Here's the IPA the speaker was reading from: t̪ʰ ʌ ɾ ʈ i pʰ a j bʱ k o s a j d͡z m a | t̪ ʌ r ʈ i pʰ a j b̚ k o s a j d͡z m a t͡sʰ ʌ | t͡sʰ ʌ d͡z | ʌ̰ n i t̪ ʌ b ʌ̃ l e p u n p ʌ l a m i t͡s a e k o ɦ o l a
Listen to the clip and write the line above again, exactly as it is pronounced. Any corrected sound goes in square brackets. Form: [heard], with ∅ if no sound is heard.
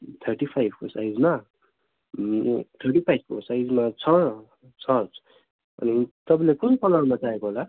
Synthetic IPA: t̪ʰ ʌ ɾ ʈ i pʰ a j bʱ k o s a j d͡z m a | [t̪ʰ] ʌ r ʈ i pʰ a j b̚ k o s a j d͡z m a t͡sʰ ʌ | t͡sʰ ʌ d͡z | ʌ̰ n i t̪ ʌ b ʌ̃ l e [k] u n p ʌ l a m [a] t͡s a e k o ɦ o l a